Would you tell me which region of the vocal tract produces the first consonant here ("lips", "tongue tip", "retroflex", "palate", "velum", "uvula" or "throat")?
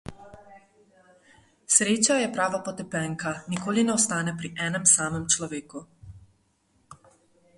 tongue tip